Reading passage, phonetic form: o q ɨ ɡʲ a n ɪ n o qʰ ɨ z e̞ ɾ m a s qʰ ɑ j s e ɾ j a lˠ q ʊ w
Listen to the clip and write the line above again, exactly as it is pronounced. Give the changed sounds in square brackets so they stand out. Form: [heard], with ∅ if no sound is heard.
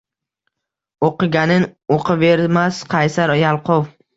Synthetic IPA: o q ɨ ɡʲ a n ɪ n o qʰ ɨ [v] e̞ ɾ m a s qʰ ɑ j s [a] ɾ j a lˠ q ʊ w